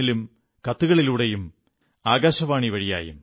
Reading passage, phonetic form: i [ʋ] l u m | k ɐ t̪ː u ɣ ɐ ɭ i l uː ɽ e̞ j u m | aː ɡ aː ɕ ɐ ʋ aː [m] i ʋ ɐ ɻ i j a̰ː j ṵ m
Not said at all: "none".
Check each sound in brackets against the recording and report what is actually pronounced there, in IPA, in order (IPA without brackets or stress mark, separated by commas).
none, ɳ